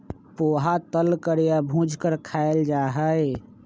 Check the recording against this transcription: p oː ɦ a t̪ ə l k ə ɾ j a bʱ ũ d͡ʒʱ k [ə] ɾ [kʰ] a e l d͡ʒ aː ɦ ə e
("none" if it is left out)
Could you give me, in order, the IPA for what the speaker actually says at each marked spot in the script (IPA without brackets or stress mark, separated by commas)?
ə, kʰ